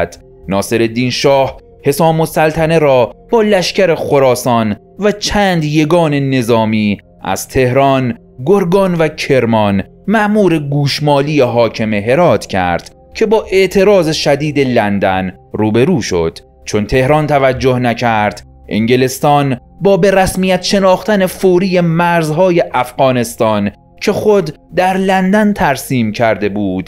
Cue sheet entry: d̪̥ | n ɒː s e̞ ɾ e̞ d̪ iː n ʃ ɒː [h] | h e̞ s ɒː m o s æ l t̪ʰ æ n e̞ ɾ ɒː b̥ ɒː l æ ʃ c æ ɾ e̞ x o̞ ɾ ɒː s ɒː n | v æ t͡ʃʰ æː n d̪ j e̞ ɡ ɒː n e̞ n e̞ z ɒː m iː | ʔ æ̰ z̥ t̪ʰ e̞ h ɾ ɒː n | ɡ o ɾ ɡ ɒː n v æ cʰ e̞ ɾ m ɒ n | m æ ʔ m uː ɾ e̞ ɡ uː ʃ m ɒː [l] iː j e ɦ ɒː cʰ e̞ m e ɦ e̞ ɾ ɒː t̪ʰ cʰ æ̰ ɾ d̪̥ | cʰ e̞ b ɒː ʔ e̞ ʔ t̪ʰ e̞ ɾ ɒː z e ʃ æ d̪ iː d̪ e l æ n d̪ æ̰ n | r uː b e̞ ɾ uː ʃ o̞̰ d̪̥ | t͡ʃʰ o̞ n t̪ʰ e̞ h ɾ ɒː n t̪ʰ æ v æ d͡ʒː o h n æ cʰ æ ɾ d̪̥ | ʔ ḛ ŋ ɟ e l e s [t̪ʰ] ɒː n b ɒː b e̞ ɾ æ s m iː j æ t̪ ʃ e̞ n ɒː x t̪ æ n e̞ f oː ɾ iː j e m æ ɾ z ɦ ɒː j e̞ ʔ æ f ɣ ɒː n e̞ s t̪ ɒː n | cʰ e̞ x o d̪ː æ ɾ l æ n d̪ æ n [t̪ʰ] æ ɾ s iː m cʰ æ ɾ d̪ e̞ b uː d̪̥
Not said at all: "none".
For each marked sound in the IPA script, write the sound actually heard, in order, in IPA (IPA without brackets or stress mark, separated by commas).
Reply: h, l, t̪, t̪ʰ